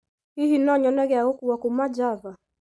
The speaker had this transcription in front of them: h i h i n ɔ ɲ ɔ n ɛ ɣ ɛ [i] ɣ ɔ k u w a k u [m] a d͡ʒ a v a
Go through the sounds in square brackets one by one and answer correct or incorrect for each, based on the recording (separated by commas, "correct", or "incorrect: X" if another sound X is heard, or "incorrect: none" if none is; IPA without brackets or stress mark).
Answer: incorrect: a, correct